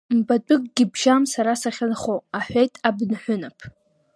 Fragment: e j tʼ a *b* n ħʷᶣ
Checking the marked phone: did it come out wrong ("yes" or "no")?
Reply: no